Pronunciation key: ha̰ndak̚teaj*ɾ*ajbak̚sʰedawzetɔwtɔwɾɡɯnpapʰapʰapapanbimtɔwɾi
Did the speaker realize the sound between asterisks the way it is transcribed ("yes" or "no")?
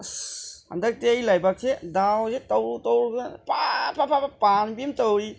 no